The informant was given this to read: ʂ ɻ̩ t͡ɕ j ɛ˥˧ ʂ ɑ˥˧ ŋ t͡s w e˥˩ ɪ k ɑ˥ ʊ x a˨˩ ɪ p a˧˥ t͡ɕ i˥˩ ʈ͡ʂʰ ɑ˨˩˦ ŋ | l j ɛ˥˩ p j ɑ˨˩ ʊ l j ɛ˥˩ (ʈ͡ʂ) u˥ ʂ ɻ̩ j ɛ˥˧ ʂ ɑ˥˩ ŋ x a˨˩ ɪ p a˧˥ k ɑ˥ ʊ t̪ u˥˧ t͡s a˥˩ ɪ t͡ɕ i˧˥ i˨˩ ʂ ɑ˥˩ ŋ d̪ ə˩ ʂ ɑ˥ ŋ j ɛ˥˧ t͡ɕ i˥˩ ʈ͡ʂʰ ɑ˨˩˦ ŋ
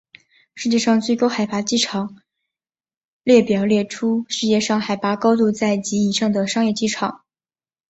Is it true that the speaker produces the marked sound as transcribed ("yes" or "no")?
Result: no